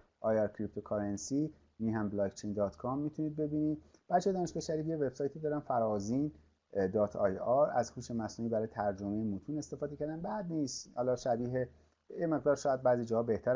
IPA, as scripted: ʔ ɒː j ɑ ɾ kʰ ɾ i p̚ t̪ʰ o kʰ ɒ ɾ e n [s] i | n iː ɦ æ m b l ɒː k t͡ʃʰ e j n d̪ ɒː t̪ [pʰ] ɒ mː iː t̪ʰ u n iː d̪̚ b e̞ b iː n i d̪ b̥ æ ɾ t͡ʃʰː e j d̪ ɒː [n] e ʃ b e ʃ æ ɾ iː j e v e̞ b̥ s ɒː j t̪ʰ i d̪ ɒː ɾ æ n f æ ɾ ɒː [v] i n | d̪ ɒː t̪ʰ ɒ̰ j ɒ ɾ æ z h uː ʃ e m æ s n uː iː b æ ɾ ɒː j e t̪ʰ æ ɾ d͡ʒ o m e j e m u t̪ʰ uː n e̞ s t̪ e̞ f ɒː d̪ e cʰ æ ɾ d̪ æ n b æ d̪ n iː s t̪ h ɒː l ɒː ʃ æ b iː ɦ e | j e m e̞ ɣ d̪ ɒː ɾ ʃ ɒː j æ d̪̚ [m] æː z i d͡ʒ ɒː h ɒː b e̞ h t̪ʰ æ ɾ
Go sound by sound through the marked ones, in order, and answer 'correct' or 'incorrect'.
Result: correct, incorrect, correct, incorrect, incorrect

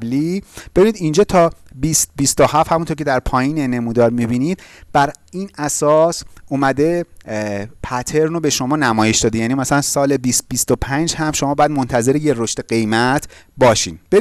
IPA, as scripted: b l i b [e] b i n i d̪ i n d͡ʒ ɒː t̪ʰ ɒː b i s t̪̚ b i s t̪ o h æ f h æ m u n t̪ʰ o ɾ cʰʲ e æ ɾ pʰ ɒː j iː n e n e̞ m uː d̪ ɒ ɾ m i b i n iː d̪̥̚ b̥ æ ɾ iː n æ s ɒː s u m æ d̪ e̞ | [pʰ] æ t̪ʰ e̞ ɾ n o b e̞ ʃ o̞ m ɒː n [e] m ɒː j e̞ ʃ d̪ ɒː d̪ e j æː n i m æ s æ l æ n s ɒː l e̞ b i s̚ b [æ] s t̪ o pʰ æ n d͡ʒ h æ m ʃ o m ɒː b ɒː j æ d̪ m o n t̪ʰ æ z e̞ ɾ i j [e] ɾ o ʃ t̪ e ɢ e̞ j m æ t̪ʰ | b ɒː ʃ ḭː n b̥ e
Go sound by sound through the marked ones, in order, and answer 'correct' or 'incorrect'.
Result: correct, correct, incorrect, incorrect, correct

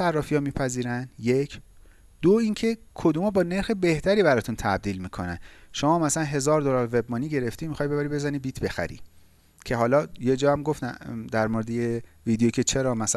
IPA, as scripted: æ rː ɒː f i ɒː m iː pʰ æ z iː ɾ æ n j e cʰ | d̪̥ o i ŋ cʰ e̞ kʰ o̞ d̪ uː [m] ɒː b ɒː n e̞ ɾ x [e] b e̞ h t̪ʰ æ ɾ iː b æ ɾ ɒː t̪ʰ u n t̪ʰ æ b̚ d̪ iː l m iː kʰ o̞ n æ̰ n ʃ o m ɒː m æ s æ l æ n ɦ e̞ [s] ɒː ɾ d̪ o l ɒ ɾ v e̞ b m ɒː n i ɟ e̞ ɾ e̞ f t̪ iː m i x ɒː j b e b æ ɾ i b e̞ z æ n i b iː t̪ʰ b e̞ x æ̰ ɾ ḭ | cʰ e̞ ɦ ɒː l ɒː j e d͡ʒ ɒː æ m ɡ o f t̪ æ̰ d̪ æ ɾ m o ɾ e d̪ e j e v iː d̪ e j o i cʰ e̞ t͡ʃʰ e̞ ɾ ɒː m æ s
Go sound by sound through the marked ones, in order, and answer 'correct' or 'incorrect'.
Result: correct, correct, incorrect

